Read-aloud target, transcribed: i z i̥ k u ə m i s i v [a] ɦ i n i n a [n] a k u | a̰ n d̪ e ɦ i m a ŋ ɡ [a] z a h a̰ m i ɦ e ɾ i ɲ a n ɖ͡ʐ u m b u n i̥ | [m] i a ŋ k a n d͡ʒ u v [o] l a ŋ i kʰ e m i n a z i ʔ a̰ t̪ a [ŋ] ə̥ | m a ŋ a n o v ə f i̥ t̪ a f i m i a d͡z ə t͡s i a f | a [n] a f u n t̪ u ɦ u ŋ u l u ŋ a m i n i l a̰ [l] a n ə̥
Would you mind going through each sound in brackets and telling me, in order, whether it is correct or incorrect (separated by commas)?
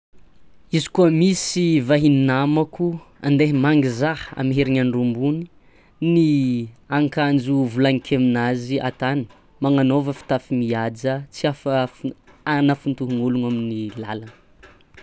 correct, incorrect, incorrect, incorrect, incorrect, incorrect, correct, correct